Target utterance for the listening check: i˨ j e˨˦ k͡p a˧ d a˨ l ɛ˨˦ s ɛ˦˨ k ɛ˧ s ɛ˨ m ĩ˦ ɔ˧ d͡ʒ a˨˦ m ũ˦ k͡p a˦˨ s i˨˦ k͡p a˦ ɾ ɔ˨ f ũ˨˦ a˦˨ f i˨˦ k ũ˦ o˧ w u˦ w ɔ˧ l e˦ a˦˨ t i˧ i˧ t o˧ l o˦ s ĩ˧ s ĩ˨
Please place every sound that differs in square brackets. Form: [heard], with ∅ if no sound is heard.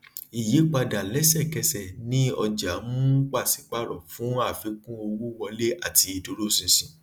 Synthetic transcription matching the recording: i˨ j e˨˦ k͡p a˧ d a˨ l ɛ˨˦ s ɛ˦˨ k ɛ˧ s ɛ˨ [n] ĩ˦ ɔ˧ d͡ʒ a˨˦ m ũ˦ k͡p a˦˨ s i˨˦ k͡p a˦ ɾ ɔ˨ f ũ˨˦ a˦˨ f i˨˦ k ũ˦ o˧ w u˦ w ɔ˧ l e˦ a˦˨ t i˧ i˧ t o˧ [ɾ] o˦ s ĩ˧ s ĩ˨